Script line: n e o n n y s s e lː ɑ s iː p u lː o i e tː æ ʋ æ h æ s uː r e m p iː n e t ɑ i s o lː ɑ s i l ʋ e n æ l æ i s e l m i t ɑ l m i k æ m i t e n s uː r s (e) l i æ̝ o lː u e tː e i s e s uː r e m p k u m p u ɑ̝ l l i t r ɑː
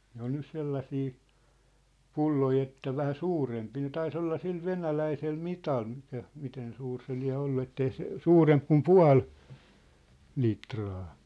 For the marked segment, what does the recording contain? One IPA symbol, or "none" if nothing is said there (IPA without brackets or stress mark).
e